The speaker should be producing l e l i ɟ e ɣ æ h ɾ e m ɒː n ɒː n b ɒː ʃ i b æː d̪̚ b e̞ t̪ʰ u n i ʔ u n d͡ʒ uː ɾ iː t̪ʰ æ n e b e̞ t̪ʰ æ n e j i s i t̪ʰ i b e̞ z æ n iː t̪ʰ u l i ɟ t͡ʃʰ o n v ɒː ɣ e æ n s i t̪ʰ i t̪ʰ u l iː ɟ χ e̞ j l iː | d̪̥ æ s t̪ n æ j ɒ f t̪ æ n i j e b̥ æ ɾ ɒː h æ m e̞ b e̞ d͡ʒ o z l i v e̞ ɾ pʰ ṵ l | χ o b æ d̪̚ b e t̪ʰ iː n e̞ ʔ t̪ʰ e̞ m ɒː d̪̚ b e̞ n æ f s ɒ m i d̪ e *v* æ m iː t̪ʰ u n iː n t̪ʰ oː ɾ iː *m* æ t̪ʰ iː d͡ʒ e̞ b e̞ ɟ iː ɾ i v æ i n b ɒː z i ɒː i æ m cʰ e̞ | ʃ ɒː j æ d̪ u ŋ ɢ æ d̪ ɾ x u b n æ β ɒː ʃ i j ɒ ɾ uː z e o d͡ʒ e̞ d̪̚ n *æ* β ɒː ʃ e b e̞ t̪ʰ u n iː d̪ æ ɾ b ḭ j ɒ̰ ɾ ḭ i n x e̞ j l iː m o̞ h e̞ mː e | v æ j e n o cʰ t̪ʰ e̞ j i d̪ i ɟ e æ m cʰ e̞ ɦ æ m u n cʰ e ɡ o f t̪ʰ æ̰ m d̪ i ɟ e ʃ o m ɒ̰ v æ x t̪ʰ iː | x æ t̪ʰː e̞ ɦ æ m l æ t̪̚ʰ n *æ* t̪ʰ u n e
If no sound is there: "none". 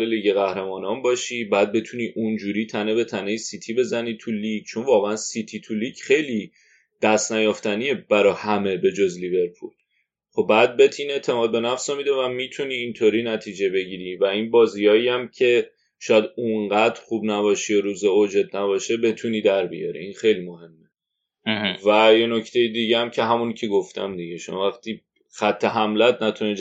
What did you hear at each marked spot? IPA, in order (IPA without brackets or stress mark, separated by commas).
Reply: v, n, æ, æ